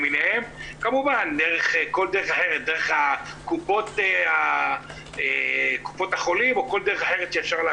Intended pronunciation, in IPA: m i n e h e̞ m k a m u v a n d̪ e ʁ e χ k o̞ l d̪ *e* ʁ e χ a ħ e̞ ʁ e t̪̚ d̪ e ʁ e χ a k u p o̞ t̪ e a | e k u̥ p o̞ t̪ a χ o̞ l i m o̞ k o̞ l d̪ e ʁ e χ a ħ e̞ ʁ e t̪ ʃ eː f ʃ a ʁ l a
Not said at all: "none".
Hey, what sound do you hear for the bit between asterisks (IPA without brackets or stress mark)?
e